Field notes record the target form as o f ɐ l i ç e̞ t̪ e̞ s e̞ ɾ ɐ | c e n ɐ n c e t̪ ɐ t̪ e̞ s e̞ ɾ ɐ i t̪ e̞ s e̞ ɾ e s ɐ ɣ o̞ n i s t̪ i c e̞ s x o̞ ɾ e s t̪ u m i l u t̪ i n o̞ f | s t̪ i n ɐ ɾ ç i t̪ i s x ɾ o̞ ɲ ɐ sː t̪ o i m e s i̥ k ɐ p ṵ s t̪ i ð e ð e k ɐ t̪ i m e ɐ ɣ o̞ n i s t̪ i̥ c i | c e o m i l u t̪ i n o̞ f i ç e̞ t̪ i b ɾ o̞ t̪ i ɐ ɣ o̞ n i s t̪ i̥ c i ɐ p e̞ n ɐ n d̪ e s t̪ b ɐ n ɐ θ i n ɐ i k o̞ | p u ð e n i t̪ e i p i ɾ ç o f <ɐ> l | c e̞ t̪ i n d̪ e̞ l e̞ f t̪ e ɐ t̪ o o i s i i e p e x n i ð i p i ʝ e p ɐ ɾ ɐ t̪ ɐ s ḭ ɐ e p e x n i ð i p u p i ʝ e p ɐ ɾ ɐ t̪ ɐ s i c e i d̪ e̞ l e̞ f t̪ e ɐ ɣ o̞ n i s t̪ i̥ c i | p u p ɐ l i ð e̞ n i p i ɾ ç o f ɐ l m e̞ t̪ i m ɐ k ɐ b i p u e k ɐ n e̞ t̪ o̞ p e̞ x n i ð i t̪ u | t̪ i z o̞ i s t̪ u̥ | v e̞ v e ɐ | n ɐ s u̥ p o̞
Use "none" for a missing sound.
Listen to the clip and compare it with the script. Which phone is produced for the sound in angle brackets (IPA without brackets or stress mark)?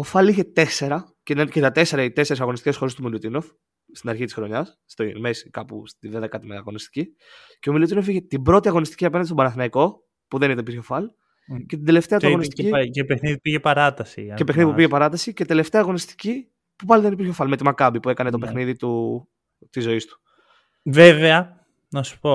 ɐ